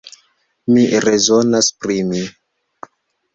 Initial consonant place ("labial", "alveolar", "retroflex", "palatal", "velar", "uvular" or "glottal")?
labial